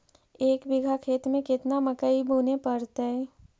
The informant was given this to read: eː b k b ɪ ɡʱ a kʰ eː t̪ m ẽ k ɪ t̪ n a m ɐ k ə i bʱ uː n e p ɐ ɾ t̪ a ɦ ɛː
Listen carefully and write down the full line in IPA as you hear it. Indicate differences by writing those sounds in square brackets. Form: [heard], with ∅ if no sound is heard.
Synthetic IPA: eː [∅] k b ɪ ɡʱ a kʰ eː t̪ m ẽ k ɪ t̪ n a m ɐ k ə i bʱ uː n e p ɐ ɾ t̪ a ɦ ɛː